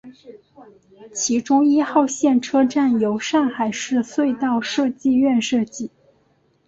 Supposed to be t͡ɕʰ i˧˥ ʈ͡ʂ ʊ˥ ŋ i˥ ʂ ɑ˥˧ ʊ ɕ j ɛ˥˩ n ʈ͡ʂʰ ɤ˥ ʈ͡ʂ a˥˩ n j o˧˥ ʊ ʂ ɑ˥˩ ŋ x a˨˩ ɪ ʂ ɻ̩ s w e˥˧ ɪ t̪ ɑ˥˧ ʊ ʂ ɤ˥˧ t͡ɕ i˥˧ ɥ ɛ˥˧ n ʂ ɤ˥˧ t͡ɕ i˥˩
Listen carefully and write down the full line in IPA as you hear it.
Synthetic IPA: t͡ɕʰ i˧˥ ʈ͡ʂ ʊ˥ ŋ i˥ x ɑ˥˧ ʊ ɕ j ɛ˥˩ n ʈ͡ʂʰ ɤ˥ ʈ͡ʂ a˥˩ n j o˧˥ ʊ ʂ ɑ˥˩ ŋ x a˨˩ ɪ ʂ ɻ̩ s w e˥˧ ɪ t̪ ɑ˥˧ ʊ ʂ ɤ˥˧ t͡ɕ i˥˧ ɥ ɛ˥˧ n ʂ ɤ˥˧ t͡ɕ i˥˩